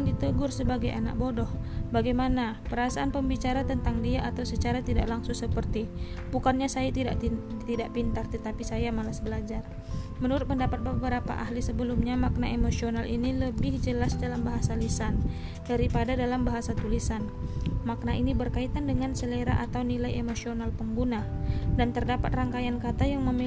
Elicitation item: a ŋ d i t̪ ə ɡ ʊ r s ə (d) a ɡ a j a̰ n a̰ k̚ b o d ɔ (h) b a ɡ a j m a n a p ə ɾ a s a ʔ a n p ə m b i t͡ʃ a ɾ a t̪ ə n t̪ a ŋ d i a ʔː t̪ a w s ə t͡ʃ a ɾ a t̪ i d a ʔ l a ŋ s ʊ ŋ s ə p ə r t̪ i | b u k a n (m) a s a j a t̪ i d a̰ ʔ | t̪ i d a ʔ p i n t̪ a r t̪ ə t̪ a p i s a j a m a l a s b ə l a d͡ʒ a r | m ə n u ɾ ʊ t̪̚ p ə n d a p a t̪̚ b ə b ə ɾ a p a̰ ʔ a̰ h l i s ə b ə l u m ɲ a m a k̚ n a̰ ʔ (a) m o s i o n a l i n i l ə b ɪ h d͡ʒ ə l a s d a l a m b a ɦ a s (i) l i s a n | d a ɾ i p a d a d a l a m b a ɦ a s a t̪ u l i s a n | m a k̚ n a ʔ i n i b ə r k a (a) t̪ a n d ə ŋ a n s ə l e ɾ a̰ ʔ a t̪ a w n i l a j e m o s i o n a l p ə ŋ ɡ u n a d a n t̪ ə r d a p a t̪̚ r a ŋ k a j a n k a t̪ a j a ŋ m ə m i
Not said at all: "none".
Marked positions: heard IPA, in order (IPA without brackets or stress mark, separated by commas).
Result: b, h, ɲ, e, a, i